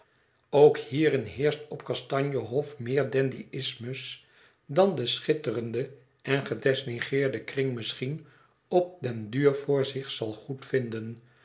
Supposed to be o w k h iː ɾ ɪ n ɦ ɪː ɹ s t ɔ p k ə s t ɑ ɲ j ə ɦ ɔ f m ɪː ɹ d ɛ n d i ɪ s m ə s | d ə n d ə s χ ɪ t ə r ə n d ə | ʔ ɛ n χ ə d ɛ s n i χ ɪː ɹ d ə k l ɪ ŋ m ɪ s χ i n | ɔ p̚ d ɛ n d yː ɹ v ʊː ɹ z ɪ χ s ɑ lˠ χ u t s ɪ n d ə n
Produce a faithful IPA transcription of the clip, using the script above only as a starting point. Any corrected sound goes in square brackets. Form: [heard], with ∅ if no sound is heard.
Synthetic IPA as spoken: o w k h iː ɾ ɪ n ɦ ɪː ɹ s t ɔ p k [ɑ] s t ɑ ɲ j ə ɦ ɔ f m ɪː ɹ d ɛ n d i ɪ s m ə s | d [ɑ] n d ə s χ ɪ t ə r ə n d ə | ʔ ɛ n χ ə d ɛ s n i χ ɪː ɹ d ə k [r] ɪ ŋ m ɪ s χ i n | ɔ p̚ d ɛ n d yː ɹ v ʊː ɹ z ɪ χ s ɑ lˠ χ u t [f] ɪ n d ə n